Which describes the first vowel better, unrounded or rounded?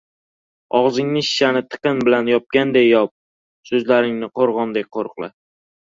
rounded